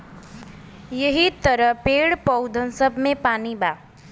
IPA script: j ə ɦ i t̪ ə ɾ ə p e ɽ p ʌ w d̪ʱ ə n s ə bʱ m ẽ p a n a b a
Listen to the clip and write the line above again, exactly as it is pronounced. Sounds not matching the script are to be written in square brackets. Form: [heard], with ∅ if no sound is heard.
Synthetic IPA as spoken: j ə ɦ i t̪ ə ɾ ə p e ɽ p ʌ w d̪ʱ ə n s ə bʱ m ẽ p a n [i] b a

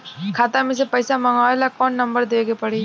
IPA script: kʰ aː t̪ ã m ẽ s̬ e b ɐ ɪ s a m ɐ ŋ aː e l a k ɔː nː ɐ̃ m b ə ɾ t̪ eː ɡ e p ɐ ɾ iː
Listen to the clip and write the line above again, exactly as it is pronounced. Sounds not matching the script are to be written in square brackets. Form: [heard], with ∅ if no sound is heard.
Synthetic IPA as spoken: kʰ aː t̪ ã m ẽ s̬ e [p] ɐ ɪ s a m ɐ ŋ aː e l a k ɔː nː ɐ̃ m b ə ɾ [d̪] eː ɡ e p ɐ [ɽ] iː

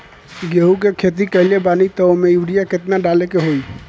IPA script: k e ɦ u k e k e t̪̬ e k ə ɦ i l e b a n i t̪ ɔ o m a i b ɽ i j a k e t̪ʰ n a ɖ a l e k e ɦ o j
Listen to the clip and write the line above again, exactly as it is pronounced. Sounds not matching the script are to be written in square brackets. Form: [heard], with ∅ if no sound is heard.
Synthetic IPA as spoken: [ɡ] e ɦ u k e [kʰ] e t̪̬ [i] k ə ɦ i l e b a n i t̪ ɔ o m [e] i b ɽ i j a k e [t̪] n a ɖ a l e k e ɦ o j

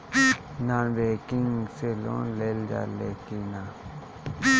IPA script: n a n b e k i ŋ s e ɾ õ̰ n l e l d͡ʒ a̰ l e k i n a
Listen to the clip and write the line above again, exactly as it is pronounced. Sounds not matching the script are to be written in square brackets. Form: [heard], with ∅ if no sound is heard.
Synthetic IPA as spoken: n a n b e k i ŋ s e [l] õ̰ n l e l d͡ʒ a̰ l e k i n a

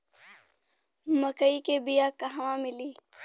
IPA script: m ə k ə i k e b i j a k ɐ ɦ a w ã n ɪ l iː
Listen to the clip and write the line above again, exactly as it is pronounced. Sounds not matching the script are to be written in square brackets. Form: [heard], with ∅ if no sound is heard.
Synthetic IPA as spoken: m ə k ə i k e b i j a k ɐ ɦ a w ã [m] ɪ l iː

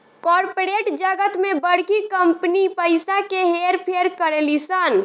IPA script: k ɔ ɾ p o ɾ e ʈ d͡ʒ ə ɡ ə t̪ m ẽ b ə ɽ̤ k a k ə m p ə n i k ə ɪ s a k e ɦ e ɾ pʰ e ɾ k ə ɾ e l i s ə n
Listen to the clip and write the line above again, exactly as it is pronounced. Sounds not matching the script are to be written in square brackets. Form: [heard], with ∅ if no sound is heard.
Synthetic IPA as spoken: k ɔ ɾ p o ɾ e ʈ d͡ʒ ə ɡ ə t̪ m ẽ b ə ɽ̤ k [i] k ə m p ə n i [p] ə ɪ s a k e ɦ e ɾ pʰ e ɾ k ə ɾ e l i s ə n

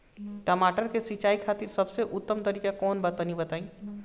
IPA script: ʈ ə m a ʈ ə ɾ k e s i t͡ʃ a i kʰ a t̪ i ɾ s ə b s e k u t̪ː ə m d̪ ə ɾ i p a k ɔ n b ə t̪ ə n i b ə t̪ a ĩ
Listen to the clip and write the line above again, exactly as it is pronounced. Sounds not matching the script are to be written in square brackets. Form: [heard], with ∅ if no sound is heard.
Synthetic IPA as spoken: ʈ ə m a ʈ ə ɾ k e s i t͡ʃ a i kʰ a t̪ i ɾ s ə b s e [ʔ] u t̪ː ə m [t̪] ə ɾ i [k] a k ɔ n b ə t̪ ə n i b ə t̪ a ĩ

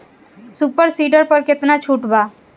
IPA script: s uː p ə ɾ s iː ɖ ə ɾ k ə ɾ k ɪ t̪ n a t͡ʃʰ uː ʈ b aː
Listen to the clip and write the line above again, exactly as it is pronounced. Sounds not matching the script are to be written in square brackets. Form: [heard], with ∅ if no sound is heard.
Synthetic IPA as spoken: s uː p ə ɾ s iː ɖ ə ɾ [p] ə ɾ k ɪ t̪ n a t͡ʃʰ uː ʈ b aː

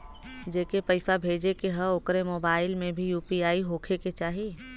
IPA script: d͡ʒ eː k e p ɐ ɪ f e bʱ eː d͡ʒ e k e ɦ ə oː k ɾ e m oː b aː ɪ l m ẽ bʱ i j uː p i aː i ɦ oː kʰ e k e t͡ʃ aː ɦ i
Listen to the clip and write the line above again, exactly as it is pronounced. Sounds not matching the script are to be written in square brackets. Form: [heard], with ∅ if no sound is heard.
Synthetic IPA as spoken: d͡ʒ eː k e p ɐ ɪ f [a] bʱ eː d͡ʒ e k e ɦ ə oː k ɾ e m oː b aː ɪ l m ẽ bʱ i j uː p i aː i ɦ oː kʰ e k e t͡ʃ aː ɦ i

